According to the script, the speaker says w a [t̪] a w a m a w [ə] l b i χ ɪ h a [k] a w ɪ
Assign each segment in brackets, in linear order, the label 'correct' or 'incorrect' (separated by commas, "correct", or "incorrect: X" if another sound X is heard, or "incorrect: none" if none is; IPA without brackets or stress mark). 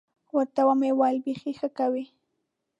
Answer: correct, incorrect: a, correct